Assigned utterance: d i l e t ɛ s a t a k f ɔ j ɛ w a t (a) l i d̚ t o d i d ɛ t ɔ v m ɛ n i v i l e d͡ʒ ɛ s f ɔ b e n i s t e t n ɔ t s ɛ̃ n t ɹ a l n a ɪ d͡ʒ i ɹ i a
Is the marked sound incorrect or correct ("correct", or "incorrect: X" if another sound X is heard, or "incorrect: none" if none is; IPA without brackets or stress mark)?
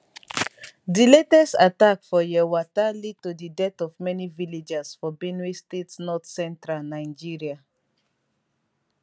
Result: correct